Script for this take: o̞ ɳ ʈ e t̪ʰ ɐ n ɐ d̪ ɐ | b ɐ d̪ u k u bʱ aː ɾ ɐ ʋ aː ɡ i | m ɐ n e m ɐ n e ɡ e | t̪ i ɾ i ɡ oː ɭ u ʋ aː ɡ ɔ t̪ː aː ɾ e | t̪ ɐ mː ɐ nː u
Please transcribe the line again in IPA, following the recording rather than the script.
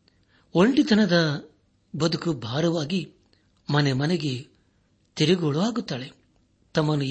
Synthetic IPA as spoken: o̞ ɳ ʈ i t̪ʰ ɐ n ɐ d̪ ɐ | b ɐ d̪ u k u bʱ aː ɾ ɐ ʋ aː ɡ i | m ɐ n e m ɐ n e ɡ e | t̪ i ɾ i ɡ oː ɭ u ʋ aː ɡ u t̪ː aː ɭ e | t̪ ɐ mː ɐ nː u